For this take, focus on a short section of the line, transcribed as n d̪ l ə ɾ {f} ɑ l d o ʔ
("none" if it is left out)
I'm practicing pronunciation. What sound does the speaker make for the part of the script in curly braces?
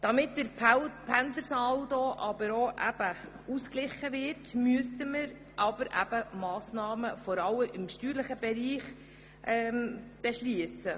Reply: s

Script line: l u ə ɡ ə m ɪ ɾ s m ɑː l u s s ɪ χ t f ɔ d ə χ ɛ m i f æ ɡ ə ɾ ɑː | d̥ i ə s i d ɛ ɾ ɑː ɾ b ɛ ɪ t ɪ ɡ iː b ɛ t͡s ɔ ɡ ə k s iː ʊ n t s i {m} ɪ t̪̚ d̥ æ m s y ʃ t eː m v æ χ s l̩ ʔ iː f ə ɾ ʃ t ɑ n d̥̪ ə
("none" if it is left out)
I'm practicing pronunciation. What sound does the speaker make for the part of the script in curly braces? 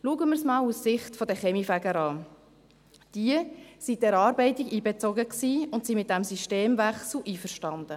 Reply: m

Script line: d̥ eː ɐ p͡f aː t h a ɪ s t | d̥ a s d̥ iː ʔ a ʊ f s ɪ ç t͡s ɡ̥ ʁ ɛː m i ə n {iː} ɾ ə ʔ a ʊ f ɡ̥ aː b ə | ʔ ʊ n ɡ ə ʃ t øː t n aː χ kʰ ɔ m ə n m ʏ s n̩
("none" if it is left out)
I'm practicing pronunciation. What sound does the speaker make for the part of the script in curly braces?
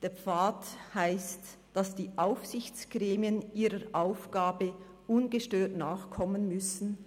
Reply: iː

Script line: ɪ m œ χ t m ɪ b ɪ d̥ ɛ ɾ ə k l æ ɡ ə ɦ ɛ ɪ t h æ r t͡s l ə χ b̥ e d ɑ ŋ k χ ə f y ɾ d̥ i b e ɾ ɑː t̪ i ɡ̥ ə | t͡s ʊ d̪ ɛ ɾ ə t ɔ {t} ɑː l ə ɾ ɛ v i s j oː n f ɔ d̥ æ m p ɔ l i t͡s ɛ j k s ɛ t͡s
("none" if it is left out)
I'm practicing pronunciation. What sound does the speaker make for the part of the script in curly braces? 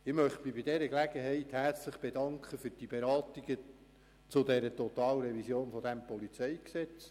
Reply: t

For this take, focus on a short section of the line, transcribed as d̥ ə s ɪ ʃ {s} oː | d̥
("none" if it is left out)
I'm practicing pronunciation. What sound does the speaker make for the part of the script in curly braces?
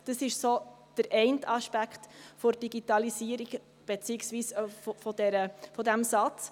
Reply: s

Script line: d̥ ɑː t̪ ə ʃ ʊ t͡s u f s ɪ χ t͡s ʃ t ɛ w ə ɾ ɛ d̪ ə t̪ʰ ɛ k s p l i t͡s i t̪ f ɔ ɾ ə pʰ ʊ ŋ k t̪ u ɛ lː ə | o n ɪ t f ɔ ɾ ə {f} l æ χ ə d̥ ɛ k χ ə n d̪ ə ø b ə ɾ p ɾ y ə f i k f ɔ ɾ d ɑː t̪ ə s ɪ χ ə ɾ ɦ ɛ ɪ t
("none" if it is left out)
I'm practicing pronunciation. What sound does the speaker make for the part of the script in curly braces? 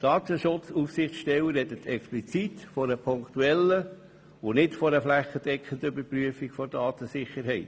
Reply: f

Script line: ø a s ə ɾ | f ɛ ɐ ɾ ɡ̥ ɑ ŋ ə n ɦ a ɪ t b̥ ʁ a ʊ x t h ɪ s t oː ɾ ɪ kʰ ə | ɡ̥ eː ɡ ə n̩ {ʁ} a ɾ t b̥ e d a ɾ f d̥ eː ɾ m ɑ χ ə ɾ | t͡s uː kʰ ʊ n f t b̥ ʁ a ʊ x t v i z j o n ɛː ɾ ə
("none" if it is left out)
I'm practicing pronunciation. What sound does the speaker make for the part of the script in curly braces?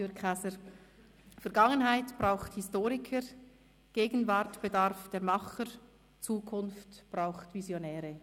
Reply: v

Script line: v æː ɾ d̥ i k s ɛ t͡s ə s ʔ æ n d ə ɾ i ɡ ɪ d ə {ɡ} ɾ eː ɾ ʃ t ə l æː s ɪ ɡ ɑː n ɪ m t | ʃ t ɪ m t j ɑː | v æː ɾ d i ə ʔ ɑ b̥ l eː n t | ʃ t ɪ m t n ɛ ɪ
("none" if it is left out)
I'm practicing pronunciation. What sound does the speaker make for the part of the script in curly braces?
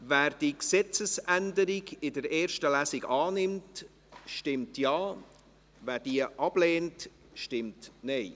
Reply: none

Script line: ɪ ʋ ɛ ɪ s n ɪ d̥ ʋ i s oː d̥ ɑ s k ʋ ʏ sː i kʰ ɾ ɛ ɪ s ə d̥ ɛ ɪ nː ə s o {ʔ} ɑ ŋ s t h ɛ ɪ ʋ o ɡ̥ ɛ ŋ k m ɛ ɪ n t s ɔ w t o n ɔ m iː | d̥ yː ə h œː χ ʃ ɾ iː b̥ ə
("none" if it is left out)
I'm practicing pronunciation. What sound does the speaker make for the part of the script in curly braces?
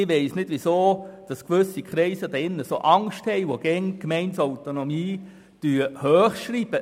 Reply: ʔ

